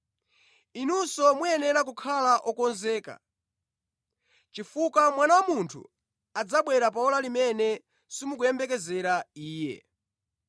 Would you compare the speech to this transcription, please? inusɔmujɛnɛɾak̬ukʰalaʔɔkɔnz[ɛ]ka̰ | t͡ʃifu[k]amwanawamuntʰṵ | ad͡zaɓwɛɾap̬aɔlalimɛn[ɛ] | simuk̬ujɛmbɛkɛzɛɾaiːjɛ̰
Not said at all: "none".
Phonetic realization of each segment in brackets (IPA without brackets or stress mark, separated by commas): ɛː, k, ɛ